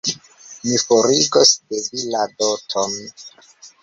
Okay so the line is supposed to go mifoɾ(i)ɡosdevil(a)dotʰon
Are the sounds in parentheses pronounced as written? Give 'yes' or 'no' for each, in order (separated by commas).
yes, yes